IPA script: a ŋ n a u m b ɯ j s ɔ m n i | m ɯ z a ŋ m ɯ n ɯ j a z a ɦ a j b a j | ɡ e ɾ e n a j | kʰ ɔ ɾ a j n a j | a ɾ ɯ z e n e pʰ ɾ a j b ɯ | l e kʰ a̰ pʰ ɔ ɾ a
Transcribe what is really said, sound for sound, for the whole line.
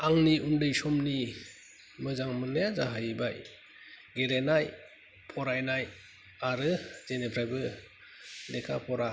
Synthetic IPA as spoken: a ŋ n i u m d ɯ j s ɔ m n i | m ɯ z a ŋ m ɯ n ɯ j a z a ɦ a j b a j | ɡ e ɾ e n a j | pʰ ɔ ɾ a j n a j | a ɾ ɯ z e n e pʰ ɾ a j b ɯ | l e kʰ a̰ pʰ ɔ ɾ a